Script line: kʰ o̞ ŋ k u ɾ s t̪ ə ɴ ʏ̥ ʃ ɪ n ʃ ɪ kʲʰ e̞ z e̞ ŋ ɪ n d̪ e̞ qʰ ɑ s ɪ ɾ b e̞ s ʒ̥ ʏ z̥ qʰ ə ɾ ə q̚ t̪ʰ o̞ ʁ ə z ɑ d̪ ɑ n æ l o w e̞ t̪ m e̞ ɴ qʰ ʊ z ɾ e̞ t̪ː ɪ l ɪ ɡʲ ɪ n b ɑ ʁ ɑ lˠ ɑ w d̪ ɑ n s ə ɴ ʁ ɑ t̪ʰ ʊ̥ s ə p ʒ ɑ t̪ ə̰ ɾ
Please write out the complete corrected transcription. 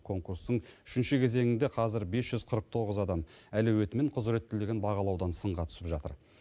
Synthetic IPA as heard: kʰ o̞ ŋ k u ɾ s t̪ ə ɴ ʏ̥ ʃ ɪ n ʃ ɪ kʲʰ e̞ z e̞ ŋ ɪ n d̪ e̞ qʰ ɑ z ɪ ɾ b e̞ s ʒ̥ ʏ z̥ qʰ ə ɾ ə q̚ t̪ʰ o̞ ʁ ə z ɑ d̪ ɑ m æ l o w e̞ t̪ m e̞ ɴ qʰ ʊ z ɾ e̞ t̪ː ɪ l ɪ ɡʲ ɪ n b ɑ ʁ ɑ lˠ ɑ w d̪ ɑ n s ə ɴ ʁ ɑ t̪ʰ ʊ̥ s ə p ʒ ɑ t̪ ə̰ ɾ